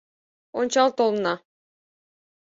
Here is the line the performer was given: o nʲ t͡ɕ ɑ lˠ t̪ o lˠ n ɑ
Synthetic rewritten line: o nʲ t͡ɕ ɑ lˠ t̪ o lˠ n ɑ